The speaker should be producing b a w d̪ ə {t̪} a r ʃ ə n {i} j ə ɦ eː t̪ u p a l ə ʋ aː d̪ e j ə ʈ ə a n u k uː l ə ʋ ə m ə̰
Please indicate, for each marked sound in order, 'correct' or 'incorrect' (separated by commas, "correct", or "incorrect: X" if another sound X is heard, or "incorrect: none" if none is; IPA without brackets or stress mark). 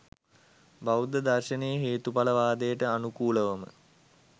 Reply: incorrect: d̪, incorrect: e